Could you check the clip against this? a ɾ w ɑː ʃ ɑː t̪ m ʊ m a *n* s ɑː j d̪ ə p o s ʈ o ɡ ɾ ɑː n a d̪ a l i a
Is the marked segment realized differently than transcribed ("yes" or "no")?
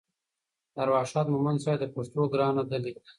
no